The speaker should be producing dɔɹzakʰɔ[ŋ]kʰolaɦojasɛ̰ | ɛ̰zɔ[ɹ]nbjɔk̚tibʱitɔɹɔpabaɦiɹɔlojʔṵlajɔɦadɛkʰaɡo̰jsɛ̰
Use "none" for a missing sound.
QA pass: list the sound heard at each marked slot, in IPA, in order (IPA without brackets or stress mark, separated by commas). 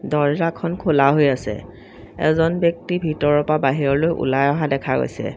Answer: n, none